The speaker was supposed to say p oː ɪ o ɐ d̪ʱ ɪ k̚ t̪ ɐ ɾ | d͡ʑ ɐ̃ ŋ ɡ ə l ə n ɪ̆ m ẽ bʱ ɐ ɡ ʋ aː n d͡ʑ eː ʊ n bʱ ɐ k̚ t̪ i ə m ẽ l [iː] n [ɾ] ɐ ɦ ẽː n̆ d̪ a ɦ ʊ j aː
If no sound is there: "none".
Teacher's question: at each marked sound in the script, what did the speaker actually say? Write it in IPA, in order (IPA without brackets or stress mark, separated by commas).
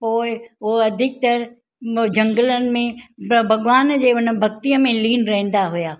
iː, ɾ